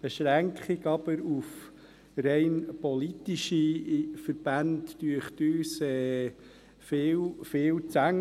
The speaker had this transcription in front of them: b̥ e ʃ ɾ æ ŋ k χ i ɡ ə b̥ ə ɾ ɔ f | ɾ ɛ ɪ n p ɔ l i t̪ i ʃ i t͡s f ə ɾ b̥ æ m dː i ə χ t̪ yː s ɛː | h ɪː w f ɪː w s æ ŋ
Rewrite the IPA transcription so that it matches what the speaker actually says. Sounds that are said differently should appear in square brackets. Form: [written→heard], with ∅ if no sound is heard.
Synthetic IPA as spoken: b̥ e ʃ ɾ æ ŋ k χ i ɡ [ə→ɑ] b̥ ə ɾ [ɔ→u] f | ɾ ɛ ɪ n p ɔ l i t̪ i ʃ i [t͡s→∅] f ə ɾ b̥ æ [m→n] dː [i→y] ə χ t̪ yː s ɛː | [h→f] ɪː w f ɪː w [s→t͡s] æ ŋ